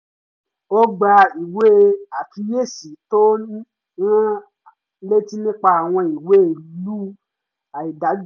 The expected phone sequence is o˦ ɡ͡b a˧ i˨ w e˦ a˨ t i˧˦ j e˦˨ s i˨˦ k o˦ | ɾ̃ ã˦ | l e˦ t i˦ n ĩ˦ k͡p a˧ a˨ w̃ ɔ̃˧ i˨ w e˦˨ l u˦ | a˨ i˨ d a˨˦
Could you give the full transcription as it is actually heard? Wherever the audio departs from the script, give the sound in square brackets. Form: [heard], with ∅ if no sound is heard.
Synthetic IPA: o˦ ɡ͡b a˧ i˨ w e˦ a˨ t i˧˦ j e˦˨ s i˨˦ [t] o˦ | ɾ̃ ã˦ | l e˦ t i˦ n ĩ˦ k͡p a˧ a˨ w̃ ɔ̃˧ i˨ w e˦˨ l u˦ | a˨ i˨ d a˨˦